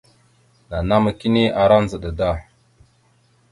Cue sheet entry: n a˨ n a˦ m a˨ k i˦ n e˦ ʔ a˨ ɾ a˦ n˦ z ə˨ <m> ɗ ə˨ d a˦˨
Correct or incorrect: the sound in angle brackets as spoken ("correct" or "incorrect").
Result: incorrect